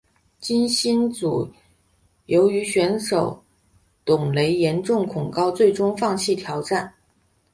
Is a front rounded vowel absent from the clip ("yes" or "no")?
no